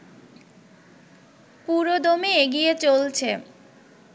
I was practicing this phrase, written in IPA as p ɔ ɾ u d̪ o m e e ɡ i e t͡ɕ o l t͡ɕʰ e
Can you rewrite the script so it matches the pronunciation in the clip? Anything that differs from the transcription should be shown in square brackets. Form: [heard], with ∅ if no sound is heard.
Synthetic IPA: p [u] ɾ [o] d̪ o m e e ɡ i e t͡ɕ o l t͡ɕʰ e

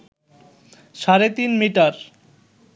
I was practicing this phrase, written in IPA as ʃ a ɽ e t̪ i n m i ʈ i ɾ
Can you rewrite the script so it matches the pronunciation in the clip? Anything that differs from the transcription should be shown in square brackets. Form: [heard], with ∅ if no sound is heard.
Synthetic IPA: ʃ a [ɾ] e t̪ i n m i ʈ [a] ɾ

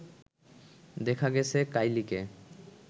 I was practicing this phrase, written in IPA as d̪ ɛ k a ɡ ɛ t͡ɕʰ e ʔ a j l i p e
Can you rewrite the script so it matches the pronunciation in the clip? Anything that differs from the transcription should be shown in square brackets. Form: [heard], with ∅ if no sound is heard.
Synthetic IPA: d̪ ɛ [kʰ] a ɡ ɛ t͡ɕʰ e [k] a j l i [k] e

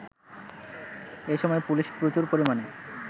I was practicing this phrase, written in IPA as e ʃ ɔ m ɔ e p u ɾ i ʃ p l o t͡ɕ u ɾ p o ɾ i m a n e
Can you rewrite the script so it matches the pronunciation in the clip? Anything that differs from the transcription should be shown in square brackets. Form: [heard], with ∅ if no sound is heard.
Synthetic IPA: e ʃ ɔ m ɔ e p u [l] i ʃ p [ɾ] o t͡ɕ u ɾ p o ɾ i m a n e

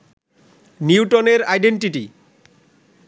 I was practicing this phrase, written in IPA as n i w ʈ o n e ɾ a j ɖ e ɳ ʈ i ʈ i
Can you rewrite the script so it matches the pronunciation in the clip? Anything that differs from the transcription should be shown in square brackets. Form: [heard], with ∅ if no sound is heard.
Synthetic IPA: n i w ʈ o n e ɾ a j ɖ e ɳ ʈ i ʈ i

